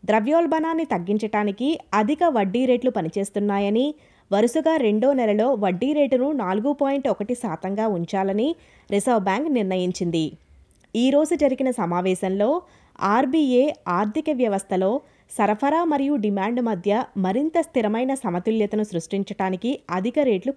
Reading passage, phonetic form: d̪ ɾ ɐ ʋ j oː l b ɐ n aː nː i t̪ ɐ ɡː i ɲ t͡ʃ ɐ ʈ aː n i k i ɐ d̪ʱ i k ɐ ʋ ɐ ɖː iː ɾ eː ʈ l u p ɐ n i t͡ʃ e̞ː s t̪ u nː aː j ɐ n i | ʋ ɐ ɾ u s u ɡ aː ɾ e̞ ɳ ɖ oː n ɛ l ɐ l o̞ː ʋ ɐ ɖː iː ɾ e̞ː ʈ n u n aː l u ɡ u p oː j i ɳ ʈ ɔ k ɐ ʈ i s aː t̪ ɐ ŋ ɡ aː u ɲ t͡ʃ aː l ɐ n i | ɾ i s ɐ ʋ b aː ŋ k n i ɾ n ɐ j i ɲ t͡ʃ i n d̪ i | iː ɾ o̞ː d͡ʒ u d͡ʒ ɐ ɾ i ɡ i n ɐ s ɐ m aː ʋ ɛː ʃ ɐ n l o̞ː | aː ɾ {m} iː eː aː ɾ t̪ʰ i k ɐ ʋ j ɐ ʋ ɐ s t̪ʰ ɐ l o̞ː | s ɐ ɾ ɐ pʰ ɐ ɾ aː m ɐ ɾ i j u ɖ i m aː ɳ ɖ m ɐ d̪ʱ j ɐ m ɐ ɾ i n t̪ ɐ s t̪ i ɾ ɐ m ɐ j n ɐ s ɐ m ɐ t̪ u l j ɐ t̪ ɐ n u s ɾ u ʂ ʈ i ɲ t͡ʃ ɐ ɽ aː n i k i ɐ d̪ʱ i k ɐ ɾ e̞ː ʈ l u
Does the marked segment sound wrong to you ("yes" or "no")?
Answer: yes